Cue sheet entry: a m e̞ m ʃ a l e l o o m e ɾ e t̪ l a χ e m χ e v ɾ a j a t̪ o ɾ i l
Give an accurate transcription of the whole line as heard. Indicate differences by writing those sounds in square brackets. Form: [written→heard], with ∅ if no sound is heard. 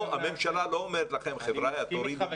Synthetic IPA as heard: a m e̞ m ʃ a l [e→a] l o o m e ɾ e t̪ l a χ e m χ e v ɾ a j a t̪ o ɾ i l